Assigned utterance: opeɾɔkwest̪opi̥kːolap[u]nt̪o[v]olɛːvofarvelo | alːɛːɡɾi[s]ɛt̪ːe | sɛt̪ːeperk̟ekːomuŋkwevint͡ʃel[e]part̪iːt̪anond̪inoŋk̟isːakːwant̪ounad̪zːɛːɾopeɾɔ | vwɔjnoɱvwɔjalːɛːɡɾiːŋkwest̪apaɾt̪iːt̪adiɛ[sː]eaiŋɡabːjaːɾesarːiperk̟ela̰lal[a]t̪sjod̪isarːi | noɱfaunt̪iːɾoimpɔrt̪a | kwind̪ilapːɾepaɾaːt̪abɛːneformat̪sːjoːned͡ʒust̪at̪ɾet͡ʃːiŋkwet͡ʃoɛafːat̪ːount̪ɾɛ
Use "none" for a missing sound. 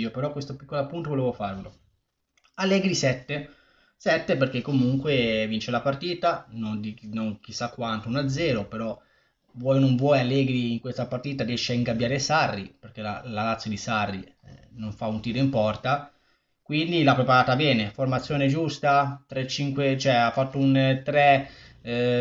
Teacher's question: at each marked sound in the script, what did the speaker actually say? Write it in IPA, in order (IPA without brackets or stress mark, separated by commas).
u, v, s, a, ʃː, a